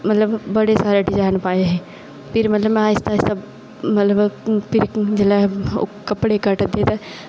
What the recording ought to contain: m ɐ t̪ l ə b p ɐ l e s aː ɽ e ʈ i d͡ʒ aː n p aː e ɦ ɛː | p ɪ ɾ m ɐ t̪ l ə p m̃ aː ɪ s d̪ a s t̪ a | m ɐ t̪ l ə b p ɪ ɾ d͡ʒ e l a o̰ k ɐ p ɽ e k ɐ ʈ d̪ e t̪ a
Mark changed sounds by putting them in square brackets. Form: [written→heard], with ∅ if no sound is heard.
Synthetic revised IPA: m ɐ t̪ l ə b [p→b] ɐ [l→ɽ] e s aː [ɽ→ɾ] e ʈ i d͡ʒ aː n p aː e ɦ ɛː | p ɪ ɾ m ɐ t̪ l ə [p→b] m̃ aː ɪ s [d̪→t̪] a s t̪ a | m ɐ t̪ l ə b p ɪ ɾ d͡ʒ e l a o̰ k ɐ p ɽ e k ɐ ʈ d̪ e t̪ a